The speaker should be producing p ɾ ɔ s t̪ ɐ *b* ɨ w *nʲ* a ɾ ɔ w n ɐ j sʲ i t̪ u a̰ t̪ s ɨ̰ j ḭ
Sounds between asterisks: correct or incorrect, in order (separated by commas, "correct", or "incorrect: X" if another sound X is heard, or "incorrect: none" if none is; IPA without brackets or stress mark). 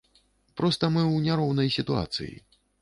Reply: incorrect: m, correct